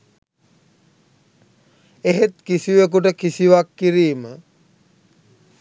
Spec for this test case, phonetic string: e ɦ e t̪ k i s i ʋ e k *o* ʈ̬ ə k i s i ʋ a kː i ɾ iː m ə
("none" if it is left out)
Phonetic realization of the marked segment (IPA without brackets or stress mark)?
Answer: u